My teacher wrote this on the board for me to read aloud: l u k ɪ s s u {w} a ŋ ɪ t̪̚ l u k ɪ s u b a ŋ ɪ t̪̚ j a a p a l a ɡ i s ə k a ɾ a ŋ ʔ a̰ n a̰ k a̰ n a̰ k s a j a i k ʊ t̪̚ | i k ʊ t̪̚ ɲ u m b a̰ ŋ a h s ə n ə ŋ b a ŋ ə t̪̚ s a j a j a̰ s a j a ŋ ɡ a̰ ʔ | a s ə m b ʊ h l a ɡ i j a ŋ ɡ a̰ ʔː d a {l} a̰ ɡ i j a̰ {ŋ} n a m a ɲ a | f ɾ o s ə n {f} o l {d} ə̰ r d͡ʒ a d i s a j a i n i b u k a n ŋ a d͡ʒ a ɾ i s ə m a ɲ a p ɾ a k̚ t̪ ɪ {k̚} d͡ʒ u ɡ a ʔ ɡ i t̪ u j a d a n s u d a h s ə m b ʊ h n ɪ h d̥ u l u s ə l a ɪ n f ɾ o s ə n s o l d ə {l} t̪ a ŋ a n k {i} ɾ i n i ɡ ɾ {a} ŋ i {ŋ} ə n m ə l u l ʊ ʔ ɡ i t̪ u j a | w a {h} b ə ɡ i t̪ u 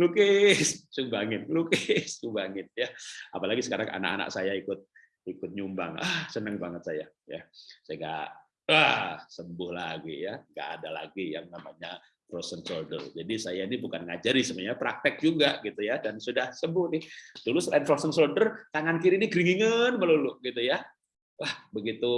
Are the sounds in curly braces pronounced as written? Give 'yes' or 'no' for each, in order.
no, yes, yes, no, yes, yes, no, yes, no, yes, yes

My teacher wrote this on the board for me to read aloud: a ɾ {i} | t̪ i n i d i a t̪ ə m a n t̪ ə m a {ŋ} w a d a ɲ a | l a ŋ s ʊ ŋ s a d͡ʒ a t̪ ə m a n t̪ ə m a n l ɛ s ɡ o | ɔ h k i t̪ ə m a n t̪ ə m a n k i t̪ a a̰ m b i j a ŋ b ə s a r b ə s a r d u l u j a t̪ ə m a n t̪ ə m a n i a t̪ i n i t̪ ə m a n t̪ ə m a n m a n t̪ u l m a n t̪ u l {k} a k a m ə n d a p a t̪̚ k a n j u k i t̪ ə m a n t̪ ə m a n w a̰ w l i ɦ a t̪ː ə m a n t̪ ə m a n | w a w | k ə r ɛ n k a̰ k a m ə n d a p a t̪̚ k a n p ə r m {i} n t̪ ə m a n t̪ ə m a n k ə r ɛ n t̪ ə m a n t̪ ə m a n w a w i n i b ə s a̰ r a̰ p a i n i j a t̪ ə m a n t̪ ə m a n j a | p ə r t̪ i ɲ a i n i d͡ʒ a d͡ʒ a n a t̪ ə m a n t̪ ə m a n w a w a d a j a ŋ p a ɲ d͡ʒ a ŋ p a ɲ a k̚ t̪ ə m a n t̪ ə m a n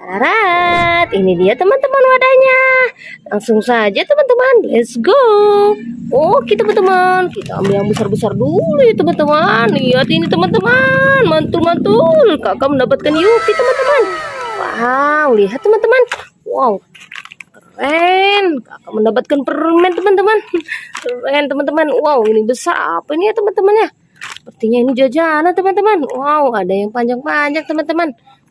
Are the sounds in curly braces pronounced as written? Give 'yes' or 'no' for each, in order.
no, no, yes, no

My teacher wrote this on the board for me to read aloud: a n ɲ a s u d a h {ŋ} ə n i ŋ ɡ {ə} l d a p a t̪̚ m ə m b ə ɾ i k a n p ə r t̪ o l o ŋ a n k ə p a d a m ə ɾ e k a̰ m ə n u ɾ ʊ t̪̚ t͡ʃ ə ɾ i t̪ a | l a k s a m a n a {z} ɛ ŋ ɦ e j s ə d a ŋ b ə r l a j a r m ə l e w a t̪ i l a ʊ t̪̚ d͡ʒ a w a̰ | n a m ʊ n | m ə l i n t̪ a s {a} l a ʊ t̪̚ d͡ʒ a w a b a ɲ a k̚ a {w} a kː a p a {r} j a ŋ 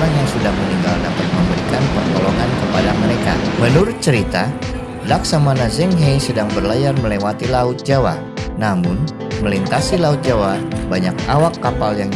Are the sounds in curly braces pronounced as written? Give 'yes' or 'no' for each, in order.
no, no, yes, no, yes, no

